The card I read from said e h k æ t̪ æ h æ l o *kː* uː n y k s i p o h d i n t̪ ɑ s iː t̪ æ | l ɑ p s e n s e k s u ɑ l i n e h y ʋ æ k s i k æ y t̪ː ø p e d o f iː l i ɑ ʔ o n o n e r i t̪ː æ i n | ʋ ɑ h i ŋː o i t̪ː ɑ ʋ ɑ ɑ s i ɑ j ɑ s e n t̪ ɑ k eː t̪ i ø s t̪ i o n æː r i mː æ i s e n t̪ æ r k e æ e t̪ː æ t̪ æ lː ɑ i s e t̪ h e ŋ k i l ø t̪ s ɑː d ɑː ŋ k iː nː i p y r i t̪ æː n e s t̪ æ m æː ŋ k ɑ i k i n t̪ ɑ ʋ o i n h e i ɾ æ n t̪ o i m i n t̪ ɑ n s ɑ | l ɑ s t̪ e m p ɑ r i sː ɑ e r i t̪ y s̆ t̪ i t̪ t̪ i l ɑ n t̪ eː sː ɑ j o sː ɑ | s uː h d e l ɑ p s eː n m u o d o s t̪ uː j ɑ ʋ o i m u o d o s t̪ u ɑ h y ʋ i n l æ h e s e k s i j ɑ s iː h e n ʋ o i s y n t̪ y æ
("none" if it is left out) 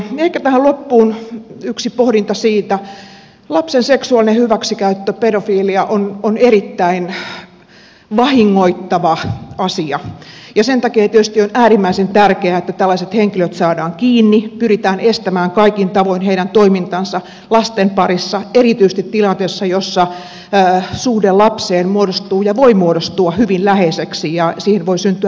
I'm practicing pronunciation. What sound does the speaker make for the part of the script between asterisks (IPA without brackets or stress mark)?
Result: pː